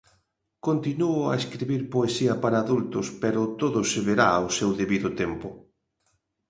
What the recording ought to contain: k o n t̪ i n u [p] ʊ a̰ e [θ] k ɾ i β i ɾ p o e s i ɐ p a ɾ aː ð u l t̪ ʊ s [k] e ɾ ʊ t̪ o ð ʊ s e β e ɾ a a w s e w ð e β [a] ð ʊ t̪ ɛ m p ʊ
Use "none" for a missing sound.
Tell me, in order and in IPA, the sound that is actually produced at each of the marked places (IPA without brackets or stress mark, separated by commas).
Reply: none, s, p, i